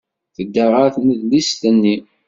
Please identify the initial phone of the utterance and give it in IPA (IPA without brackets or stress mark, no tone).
θ